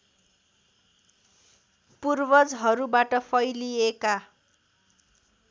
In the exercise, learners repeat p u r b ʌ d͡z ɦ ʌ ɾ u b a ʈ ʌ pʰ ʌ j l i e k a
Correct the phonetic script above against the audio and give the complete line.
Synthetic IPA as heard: p u r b ʌ d͡z ɦ ʌ ɾ u b a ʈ ʌ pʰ ʌ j l i e k a